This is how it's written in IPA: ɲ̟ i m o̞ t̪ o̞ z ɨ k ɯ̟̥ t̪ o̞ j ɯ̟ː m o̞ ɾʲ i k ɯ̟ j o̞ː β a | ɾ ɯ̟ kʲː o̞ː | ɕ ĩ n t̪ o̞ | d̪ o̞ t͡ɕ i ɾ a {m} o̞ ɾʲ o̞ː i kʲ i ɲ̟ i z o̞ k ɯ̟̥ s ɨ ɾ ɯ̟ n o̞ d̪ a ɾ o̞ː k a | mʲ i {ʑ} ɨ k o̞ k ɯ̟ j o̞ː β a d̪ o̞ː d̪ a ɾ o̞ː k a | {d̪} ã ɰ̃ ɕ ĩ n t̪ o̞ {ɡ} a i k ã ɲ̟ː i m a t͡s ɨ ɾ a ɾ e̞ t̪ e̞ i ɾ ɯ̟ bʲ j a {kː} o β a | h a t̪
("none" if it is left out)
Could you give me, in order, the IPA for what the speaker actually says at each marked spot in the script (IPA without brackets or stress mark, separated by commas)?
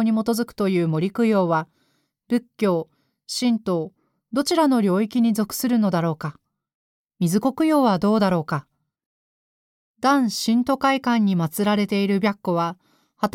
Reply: n, z, d̪, k, kː